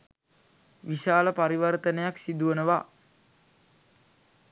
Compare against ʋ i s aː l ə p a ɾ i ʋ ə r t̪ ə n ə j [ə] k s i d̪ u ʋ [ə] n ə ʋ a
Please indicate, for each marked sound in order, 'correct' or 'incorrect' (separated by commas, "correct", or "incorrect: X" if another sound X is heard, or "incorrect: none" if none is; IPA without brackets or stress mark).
incorrect: a, correct